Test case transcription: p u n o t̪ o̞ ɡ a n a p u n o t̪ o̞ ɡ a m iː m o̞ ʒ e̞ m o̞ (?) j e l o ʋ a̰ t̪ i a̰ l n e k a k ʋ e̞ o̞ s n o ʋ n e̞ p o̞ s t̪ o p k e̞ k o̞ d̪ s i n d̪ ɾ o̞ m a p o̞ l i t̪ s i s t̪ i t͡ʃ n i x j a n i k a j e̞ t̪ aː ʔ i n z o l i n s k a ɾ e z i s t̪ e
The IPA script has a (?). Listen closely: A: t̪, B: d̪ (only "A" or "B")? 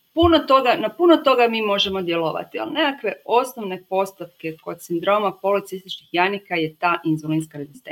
B